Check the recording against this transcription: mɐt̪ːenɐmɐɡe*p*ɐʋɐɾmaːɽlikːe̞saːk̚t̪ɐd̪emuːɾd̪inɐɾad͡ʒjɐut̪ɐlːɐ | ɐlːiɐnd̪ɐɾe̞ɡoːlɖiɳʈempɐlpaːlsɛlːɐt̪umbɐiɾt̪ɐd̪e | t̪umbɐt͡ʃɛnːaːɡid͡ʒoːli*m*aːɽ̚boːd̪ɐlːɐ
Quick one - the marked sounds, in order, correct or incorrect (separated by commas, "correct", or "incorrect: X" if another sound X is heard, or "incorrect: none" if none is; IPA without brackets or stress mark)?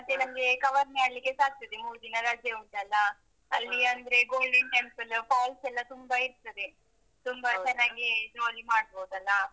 incorrect: k, correct